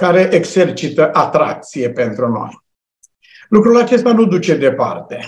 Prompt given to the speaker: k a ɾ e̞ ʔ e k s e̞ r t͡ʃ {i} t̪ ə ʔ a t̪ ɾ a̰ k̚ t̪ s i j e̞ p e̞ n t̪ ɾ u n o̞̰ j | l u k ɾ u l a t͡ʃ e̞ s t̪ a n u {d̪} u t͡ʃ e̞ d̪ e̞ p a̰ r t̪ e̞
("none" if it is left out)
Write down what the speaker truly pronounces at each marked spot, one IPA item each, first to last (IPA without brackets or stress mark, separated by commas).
i, d̪